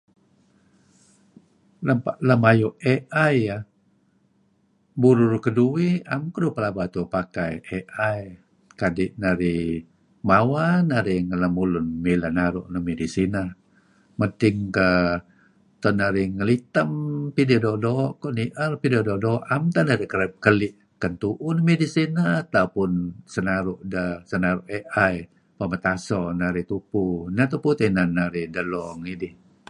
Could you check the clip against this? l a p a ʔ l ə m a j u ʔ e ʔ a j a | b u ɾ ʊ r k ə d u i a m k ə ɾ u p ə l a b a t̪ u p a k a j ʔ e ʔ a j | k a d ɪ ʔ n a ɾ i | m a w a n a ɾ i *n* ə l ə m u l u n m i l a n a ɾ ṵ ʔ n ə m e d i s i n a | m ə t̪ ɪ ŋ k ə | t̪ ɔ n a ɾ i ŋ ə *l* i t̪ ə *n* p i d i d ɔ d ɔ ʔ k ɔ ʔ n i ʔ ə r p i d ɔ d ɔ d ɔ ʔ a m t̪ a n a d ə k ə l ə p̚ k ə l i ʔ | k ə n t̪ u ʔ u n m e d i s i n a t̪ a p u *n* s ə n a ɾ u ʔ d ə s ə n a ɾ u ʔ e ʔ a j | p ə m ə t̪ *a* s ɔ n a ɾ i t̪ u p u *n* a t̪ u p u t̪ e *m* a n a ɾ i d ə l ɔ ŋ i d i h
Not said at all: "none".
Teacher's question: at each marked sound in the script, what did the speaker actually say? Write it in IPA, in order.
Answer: ŋ, l, m, n, a, n, n

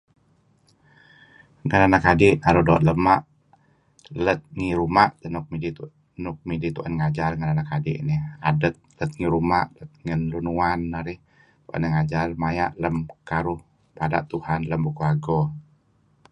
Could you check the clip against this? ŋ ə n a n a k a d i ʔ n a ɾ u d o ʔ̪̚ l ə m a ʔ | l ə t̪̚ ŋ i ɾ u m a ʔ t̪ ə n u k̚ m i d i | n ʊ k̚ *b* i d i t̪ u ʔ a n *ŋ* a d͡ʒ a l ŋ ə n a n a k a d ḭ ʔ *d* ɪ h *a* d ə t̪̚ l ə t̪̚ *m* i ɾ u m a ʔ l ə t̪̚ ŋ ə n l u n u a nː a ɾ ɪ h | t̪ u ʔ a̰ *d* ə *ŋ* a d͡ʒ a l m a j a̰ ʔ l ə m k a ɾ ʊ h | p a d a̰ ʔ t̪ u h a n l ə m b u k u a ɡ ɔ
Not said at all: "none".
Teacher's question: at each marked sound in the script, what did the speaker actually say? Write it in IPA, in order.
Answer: m, ŋ, n, a, ŋ, n, ŋ

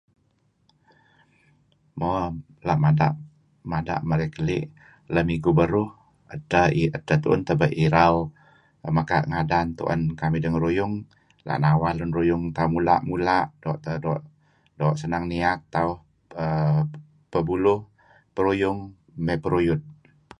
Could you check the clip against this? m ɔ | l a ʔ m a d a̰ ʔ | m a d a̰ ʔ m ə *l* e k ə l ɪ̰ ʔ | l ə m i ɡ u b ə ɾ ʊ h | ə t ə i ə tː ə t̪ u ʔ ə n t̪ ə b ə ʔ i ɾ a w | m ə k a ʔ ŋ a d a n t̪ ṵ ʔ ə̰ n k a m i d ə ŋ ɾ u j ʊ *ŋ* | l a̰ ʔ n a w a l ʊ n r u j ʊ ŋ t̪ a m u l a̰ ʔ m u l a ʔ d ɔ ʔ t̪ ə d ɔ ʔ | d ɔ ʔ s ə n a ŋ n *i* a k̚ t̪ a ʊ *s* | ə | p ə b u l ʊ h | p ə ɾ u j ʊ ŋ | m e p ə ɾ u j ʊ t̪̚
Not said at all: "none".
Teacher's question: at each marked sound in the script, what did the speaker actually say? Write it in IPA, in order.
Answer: ɾ, ŋ, i, h

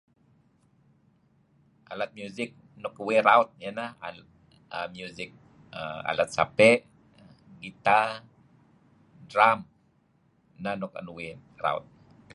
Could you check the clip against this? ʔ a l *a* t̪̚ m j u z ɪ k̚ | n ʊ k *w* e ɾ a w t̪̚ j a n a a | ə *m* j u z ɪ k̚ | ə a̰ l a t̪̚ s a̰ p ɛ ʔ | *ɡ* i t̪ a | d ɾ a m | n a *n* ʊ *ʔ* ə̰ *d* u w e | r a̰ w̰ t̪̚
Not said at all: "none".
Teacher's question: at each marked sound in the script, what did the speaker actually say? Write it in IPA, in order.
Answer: a, w, m, ɡ, n, k, n

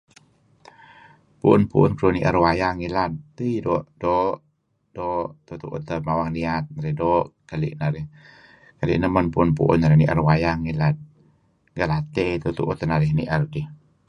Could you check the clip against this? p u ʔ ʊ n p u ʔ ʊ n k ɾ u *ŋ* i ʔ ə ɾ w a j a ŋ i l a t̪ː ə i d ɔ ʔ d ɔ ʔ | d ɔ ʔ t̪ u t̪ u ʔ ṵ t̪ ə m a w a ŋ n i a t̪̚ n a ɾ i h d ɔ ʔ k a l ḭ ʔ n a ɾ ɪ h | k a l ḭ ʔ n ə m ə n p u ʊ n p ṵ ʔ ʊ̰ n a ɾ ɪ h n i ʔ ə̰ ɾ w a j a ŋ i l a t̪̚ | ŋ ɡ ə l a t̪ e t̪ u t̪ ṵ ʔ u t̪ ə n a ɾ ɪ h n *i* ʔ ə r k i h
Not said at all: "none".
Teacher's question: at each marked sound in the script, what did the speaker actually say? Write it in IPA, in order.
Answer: n, i

